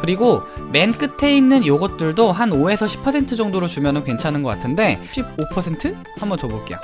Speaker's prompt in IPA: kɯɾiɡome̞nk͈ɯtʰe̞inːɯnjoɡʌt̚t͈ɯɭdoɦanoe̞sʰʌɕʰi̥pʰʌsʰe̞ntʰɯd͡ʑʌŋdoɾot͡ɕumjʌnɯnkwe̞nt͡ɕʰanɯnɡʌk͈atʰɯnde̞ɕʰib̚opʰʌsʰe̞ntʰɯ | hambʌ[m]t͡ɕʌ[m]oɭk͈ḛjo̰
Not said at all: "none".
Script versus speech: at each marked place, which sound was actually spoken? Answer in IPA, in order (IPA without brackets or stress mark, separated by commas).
n, b